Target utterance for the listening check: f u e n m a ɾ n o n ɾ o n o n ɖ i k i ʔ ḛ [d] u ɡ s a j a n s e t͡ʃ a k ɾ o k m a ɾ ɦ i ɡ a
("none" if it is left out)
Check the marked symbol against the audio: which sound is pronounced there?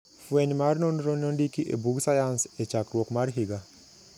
b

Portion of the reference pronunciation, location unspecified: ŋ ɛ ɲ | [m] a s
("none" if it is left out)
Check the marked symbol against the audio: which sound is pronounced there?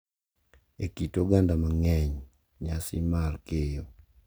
ɲ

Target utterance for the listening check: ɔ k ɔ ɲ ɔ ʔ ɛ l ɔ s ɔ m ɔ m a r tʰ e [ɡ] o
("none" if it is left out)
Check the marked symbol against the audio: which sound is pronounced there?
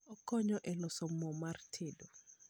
d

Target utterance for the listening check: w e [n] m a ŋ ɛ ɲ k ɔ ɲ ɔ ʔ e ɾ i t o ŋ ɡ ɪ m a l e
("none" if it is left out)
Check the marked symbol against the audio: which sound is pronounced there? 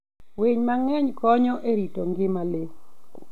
ɲ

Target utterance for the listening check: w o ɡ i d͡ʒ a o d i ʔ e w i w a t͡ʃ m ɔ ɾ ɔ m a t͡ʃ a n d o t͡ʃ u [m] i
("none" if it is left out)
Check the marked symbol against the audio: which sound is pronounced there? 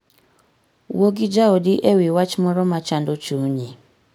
ɲ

